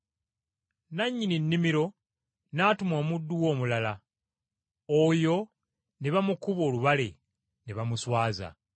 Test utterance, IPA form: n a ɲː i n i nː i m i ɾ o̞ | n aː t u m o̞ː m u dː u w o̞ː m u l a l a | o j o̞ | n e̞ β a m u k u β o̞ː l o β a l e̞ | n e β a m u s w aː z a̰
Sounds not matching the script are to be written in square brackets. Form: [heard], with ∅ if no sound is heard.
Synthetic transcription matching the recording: n a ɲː i n i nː i m i ɾ o̞ | n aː t u m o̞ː m u dː u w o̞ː m u l a l a | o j o̞ | n e̞ β a m u k u β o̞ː l [u] β a l e̞ | n e β a m u s w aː z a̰